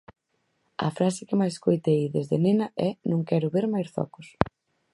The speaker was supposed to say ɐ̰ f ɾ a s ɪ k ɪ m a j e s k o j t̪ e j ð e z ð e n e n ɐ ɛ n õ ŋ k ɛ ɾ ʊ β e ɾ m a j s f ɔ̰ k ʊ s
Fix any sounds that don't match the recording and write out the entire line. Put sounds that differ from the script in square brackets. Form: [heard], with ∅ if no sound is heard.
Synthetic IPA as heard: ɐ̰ f ɾ a s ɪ k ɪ m a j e s k o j t̪ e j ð e z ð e n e n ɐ ɛ n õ ŋ k ɛ ɾ ʊ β e ɾ m a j s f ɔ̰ k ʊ s